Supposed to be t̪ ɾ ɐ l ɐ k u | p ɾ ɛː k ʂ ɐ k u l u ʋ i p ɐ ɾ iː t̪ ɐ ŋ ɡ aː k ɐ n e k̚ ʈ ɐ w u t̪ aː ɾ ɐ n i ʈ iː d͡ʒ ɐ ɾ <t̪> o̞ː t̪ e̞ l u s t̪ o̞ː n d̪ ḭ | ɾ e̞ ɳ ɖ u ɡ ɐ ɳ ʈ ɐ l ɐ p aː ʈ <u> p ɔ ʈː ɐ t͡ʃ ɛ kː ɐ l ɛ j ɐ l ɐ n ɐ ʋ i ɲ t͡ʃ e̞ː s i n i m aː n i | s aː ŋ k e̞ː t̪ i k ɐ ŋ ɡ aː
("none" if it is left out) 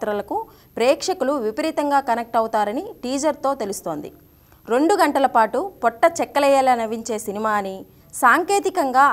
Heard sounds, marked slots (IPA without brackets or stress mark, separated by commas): t̪, u